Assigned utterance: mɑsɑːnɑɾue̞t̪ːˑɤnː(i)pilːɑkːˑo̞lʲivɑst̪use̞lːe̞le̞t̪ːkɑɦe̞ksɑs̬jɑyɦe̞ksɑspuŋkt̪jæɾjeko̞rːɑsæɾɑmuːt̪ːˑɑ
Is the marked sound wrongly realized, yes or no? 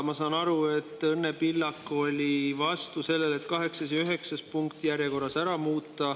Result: yes